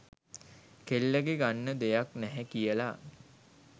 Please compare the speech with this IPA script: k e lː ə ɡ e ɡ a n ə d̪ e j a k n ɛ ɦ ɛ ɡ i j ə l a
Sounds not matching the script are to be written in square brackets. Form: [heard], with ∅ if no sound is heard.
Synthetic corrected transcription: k e lː ə ɡ e ɡ a [nː] ə d̪ e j a k n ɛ ɦ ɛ [k] i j ə l a